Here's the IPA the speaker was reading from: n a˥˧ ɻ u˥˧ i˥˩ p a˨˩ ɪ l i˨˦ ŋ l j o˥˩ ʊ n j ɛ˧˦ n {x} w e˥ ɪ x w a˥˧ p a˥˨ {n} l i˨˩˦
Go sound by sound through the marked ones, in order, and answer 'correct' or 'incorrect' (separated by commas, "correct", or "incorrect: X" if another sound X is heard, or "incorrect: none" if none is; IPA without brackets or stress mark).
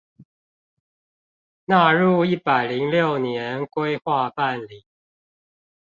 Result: incorrect: k, correct